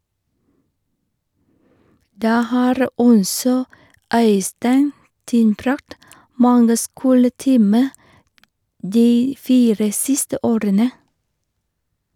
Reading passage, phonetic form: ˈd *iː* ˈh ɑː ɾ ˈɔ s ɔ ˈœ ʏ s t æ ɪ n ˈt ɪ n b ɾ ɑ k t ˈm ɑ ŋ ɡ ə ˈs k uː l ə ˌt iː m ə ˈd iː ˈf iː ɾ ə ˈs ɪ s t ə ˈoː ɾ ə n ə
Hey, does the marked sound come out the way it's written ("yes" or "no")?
no